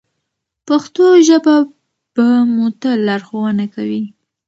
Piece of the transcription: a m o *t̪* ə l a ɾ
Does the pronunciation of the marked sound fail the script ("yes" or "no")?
no